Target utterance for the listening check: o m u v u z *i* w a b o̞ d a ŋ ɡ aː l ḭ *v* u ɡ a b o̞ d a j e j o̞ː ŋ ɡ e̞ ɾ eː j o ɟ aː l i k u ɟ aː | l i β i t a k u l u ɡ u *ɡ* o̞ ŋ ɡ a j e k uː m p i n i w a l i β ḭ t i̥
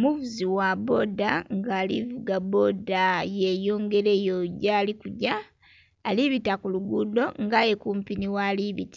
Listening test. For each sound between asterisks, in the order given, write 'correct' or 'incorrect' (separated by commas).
correct, correct, incorrect